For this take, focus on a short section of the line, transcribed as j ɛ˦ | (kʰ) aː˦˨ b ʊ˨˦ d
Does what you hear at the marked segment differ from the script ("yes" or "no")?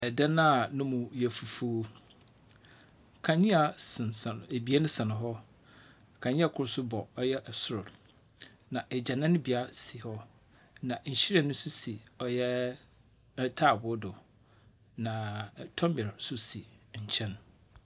yes